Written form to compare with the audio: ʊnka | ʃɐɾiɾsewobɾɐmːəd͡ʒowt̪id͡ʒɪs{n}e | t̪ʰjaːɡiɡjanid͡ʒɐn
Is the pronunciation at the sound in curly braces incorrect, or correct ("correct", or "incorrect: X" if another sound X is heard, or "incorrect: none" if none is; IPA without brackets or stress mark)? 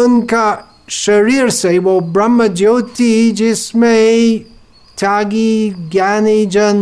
incorrect: m